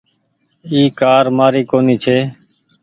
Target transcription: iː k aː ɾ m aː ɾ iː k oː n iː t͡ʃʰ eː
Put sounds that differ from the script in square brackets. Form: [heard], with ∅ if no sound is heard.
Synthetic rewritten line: iː k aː ɾ m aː ɾ iː k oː n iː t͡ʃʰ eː